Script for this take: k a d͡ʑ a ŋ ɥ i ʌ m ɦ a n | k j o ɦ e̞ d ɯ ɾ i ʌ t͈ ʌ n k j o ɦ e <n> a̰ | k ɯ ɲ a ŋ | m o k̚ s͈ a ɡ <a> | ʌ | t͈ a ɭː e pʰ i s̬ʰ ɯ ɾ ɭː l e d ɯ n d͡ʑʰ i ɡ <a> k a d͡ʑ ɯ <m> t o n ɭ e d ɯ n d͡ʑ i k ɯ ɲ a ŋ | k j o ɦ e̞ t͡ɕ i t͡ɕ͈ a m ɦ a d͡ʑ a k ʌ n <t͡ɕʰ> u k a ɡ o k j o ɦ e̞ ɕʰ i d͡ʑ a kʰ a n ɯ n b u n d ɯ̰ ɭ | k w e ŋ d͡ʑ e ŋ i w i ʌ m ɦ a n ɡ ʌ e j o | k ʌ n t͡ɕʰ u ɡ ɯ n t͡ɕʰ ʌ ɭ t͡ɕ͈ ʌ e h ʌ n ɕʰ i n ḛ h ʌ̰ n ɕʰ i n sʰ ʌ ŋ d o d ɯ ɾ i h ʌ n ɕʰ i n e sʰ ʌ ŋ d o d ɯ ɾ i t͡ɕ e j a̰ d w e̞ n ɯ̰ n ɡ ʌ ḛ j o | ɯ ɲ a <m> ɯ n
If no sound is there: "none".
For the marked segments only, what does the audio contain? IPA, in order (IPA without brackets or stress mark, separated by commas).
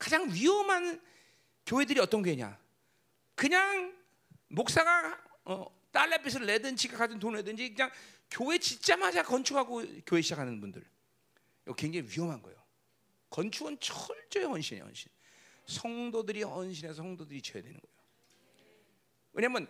ɲ, a, a, n, t͡ɕʰ, m